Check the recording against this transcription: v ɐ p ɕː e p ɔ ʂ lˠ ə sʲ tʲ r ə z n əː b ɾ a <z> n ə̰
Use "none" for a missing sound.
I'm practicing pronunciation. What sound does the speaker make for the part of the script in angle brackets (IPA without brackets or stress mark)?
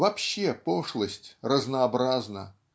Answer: z